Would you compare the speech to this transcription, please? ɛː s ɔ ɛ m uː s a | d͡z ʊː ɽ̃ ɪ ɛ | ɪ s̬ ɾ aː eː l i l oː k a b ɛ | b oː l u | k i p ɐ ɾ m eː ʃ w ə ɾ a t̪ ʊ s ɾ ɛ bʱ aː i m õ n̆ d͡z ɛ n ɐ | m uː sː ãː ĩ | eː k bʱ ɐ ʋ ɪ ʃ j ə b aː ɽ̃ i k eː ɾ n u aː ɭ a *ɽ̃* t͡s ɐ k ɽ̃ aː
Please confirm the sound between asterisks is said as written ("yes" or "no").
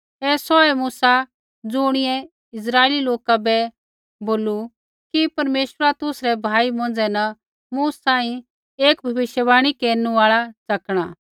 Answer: no